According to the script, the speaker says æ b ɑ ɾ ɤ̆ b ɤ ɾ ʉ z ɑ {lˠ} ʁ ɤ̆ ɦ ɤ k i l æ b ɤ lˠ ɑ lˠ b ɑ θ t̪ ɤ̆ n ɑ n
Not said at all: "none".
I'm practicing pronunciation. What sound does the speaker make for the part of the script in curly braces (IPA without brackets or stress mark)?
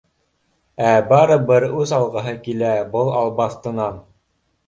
lˠ